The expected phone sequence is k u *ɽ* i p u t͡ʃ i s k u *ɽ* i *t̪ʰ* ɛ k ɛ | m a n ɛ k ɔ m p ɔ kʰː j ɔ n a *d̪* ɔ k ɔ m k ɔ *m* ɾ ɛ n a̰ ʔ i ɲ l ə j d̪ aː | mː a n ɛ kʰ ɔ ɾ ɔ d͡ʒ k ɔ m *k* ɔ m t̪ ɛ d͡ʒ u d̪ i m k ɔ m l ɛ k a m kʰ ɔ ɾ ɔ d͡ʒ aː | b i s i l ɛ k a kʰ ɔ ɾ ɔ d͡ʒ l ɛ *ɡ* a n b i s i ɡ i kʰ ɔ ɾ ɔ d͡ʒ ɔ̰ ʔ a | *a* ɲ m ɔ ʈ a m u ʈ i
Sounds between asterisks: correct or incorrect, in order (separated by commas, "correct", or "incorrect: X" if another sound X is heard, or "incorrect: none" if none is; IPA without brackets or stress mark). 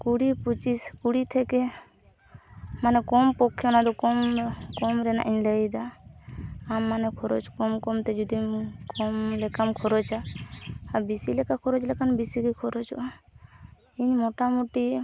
correct, correct, correct, correct, correct, correct, incorrect: k, incorrect: i